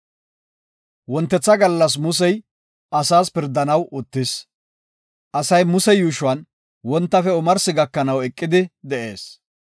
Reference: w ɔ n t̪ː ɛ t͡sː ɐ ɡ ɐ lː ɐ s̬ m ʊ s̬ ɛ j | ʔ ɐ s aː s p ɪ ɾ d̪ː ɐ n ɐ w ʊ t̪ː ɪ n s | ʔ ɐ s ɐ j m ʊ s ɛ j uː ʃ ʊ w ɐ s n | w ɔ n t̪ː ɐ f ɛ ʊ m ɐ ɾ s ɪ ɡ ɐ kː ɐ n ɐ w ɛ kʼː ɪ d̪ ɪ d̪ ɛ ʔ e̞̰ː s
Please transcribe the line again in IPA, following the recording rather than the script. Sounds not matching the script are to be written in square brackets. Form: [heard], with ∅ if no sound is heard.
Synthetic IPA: w ɔ n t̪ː ɛ t͡sː ɐ ɡ ɐ lː ɐ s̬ m ʊ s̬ ɛ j | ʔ ɐ s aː s p ɪ ɾ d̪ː ɐ n ɐ w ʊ t̪ː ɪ [∅] s | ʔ ɐ s ɐ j m ʊ s ɛ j uː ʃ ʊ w ɐ [∅] n | w ɔ n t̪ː ɐ f ɛ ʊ m ɐ ɾ s ɪ ɡ ɐ kː ɐ n ɐ w ɛ kʼː ɪ d̪ ɪ d̪ ɛ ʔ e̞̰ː s